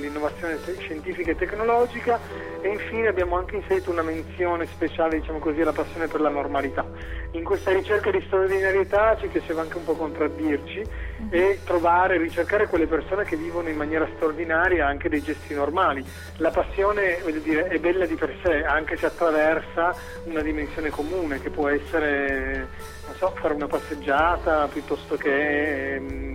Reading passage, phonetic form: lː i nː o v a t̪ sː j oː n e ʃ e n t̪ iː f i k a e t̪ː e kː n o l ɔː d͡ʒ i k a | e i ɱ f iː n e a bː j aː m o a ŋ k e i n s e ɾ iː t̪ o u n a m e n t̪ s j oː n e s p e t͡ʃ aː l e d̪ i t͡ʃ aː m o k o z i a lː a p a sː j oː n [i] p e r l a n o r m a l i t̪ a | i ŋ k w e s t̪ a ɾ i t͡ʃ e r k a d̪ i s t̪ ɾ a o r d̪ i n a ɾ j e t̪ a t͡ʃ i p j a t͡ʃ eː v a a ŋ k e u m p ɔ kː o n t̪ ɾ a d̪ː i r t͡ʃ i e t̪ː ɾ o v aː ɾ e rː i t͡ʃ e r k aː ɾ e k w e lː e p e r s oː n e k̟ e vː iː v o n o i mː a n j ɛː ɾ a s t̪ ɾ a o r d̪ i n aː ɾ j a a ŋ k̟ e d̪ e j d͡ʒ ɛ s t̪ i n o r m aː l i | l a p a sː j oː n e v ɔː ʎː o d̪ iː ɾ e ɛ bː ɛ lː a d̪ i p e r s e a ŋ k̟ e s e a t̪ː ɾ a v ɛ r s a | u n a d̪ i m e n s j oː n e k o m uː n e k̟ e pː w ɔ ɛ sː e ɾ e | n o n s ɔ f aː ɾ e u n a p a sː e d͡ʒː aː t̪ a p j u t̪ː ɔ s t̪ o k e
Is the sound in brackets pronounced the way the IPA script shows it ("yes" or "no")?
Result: no